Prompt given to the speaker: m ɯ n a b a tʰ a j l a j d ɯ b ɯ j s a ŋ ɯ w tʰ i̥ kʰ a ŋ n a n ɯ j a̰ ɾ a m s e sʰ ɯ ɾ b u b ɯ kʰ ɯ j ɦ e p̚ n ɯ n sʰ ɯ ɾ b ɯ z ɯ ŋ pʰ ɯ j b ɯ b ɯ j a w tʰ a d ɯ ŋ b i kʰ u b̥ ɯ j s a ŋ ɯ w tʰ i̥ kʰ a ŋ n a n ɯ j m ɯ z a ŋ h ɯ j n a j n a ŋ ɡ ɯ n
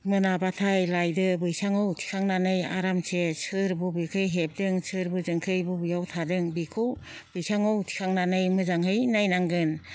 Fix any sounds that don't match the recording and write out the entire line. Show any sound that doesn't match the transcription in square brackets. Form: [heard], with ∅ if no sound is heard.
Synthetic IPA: m ɯ n a b a tʰ a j l a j d ɯ b ɯ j s a ŋ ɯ w tʰ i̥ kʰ a ŋ n a n ɯ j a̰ ɾ a m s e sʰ ɯ ɾ b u b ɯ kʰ ɯ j ɦ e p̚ [d] ɯ [ŋ] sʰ ɯ ɾ b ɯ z ɯ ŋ [kʰ] ɯ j b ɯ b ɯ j a w tʰ a d ɯ ŋ b i kʰ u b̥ ɯ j s a ŋ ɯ w tʰ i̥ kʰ a ŋ n a n ɯ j m ɯ z a ŋ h ɯ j n a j n a ŋ ɡ ɯ n